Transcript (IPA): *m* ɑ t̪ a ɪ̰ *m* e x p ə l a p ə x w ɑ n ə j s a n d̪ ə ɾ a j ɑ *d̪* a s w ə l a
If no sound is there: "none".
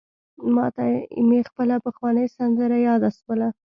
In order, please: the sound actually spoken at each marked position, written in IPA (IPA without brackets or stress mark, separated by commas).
m, m, d̪